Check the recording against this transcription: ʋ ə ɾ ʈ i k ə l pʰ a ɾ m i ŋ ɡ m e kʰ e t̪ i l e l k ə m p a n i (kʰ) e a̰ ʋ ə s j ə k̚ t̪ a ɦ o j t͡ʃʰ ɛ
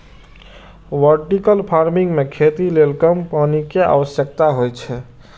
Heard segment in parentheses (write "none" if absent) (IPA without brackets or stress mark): k